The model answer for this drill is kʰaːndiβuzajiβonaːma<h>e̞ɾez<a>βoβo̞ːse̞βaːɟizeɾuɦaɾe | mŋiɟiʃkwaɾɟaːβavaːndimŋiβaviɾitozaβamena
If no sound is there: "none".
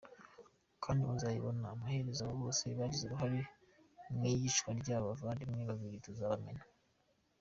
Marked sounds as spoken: h, a

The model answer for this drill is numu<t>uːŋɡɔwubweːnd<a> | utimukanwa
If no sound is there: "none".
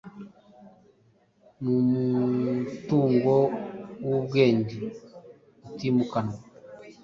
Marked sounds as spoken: t, i

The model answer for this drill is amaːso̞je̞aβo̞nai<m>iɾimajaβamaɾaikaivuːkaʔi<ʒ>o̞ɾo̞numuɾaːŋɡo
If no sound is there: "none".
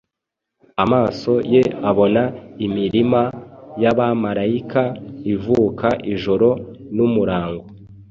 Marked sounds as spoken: m, ʒ

